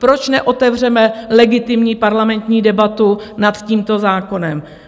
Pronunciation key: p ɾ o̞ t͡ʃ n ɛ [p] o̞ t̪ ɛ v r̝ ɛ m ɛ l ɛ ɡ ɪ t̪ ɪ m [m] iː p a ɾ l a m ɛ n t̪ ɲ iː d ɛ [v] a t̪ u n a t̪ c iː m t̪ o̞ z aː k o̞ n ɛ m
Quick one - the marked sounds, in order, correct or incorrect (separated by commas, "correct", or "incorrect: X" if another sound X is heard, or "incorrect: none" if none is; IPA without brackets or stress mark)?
incorrect: ʔ, incorrect: ɲ, incorrect: b